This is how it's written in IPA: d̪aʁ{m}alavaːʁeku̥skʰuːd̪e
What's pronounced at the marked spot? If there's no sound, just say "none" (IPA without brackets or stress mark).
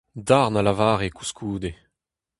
n